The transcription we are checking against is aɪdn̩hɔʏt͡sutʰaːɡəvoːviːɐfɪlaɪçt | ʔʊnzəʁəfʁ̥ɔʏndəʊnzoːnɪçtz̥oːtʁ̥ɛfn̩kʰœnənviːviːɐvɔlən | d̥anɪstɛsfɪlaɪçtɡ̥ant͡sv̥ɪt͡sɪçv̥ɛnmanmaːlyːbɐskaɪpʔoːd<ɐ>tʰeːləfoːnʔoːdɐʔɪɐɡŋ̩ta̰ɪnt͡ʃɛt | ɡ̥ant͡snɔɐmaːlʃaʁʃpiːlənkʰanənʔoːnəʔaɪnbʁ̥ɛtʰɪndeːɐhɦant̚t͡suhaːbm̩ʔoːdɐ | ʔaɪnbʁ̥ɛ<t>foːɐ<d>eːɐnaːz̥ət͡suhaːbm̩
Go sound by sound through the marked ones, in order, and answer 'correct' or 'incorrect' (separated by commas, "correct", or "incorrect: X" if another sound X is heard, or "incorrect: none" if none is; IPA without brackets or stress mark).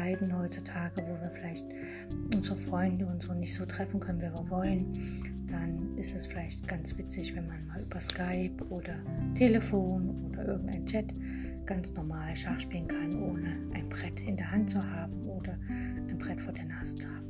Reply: correct, correct, correct